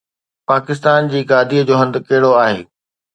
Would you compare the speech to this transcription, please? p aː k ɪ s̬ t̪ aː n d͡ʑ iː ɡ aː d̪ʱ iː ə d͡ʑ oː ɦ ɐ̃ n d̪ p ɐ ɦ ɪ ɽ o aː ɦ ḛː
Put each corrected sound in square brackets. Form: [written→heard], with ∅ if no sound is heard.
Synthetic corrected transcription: p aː k ɪ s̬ t̪ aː n d͡ʑ iː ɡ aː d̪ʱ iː ə d͡ʑ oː ɦ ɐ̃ n d̪ [p→k] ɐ ɦ ɪ ɽ o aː ɦ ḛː